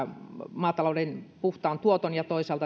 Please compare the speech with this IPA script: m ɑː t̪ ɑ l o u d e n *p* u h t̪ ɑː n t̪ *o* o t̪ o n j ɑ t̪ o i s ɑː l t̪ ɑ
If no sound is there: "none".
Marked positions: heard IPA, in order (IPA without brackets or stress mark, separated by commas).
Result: p, u